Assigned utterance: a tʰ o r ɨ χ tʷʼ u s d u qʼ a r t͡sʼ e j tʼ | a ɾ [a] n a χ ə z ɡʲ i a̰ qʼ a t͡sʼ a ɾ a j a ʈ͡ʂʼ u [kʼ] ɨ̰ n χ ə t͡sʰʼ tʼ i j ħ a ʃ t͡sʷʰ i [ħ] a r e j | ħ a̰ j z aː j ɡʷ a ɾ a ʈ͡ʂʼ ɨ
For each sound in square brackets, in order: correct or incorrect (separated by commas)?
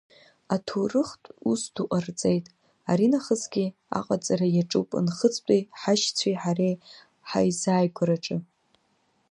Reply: incorrect, incorrect, correct